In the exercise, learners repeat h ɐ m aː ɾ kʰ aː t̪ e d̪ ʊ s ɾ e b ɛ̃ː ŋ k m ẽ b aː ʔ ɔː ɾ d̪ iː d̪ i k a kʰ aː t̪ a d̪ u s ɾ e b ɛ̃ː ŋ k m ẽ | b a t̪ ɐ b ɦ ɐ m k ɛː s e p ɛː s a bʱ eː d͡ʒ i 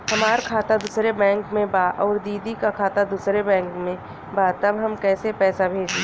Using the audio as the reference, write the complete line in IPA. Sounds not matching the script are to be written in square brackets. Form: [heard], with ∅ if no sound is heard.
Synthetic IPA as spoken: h ɐ m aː ɾ kʰ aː t̪ [a] d̪ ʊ s ɾ e b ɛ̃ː ŋ k m ẽ b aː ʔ ɔː ɾ d̪ iː d̪ i k a kʰ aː t̪ a d̪ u s ɾ e b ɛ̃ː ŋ k m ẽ | b a t̪ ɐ b ɦ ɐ m k ɛː s e p ɛː s a bʱ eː d͡ʒ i